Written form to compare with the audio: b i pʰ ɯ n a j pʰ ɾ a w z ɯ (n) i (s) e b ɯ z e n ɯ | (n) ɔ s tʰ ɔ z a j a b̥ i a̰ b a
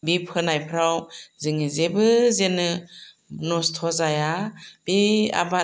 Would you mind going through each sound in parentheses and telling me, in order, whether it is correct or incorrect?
incorrect, incorrect, correct

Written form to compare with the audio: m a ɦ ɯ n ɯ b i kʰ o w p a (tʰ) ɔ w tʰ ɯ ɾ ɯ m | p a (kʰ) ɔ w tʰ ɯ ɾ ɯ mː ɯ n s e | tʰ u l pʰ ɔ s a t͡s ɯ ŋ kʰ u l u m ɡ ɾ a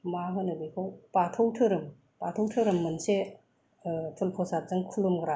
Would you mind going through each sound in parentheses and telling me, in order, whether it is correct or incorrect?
correct, incorrect

